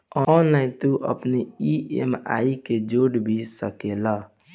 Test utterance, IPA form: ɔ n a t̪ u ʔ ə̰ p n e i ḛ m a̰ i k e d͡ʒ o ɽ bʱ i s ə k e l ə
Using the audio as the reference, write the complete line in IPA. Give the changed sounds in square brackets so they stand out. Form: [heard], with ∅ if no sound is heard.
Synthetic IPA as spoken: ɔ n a t̪ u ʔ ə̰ p n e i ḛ m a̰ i k e d͡ʒ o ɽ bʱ i s ə k e l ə